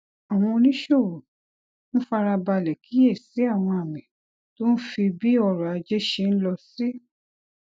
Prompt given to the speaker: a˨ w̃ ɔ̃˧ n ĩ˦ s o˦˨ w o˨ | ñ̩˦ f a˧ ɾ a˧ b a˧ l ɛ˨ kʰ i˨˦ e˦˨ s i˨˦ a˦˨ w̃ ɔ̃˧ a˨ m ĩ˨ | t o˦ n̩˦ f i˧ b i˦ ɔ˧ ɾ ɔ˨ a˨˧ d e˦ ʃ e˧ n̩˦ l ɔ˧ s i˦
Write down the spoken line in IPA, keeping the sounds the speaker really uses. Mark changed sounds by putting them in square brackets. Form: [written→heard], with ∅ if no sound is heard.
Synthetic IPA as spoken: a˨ w̃ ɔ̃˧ n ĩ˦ [s→ʃ] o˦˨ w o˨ | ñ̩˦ f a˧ ɾ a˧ b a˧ l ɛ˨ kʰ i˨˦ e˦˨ s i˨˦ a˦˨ w̃ ɔ̃˧ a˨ m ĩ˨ | t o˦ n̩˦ f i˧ b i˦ ɔ˧ ɾ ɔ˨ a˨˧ [d→d͡ʒ] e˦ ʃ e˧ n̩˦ l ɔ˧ s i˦

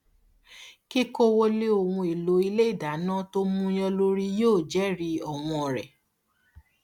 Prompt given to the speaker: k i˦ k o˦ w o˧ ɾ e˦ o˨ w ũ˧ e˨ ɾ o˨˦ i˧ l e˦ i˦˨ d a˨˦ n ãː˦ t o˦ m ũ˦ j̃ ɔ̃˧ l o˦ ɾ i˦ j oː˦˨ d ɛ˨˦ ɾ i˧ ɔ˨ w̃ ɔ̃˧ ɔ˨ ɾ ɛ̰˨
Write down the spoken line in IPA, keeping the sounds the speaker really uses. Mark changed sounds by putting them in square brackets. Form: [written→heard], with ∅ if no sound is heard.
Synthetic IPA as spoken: k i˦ k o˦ w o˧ [ɾ→l] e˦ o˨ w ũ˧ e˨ [ɾ→l] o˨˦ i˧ l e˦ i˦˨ d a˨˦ n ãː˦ t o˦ m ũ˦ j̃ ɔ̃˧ l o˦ ɾ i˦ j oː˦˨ [d→d͡ʒ] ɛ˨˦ ɾ i˧ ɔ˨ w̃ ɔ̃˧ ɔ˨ ɾ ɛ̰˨

